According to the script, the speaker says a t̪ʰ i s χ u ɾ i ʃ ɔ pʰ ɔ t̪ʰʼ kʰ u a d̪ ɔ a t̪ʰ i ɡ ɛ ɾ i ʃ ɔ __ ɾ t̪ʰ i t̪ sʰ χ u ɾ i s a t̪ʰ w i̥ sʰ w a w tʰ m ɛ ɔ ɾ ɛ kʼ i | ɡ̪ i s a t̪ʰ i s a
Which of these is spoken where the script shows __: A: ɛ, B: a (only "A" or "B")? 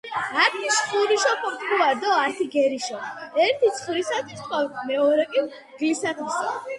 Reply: A